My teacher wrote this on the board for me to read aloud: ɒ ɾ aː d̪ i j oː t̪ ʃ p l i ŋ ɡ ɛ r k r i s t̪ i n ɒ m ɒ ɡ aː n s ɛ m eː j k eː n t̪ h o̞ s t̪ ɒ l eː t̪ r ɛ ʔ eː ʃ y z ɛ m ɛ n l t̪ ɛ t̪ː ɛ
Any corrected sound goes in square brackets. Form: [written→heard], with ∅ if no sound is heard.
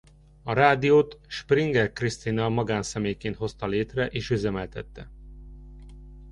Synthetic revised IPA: ɒ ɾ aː d̪ i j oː t̪ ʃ p [l→r] i ŋ ɡ ɛ r k r i s t̪ i n ɒ m ɒ ɡ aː n s ɛ m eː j k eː n t̪ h o̞ s t̪ ɒ l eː t̪ r ɛ ʔ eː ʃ y z ɛ m ɛ [n→∅] l t̪ ɛ t̪ː ɛ